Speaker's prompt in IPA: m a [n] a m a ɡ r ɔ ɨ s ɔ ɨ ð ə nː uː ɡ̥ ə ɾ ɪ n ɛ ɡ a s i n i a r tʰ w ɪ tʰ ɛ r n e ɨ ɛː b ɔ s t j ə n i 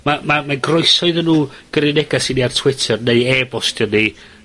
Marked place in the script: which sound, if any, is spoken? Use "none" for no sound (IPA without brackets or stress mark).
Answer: m